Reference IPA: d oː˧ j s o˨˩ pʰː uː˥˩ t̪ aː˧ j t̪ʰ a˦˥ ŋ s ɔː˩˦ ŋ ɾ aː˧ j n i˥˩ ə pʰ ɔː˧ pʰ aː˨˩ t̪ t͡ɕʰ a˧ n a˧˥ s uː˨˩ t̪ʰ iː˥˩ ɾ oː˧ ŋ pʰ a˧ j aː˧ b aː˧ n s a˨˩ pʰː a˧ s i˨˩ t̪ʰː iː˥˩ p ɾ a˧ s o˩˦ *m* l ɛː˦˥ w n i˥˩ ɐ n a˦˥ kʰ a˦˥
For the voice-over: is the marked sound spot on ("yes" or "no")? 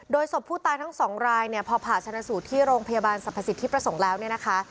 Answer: no